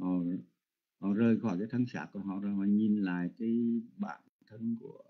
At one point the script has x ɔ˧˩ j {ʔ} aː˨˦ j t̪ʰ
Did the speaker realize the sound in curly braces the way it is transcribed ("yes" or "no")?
no